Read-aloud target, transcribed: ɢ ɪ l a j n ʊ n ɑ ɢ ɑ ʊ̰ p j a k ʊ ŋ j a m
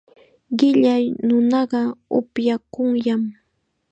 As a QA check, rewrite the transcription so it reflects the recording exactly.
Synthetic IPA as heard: ɢ ɪ ʎ a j n ʊ n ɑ ɢ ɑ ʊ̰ p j a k ʊ ŋ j a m